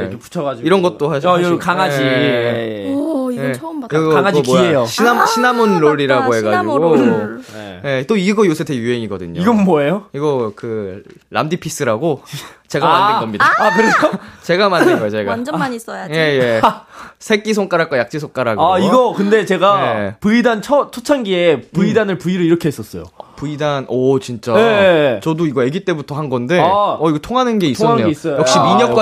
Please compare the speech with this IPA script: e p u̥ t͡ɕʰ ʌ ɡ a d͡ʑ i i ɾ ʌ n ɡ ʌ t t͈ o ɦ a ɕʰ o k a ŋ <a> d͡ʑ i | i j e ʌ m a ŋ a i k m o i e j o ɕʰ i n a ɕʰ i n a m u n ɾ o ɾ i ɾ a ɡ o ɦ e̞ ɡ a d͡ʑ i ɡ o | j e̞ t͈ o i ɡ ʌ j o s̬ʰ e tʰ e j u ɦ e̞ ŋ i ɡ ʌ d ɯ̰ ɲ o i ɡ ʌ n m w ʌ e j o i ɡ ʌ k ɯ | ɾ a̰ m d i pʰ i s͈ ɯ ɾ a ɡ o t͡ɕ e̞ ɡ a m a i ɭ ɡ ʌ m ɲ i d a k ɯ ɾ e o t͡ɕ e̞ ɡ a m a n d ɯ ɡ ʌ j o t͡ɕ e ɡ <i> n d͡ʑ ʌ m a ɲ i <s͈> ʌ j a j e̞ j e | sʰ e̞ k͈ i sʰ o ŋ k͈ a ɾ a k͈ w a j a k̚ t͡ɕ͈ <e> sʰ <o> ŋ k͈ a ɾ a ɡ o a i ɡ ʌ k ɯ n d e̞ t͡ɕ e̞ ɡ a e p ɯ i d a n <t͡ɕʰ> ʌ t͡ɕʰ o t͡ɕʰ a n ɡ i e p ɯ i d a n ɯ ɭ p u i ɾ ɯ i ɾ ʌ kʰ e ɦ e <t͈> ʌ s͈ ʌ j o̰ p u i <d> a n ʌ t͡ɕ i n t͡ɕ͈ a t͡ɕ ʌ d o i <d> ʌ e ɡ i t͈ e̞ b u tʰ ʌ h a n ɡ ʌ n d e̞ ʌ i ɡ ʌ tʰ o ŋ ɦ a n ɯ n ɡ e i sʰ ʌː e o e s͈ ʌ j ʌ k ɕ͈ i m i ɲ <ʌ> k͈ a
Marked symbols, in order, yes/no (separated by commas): yes, no, yes, no, yes, yes, no, yes, no, yes